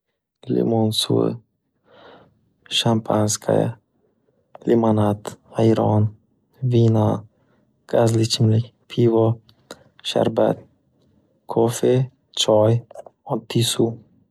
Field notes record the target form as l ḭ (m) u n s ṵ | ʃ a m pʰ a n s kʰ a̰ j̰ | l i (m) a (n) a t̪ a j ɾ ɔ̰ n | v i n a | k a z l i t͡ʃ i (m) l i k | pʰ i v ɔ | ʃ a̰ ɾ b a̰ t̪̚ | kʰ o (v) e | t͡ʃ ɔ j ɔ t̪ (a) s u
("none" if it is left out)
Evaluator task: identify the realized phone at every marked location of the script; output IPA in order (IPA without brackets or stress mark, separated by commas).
m, m, n, m, f, i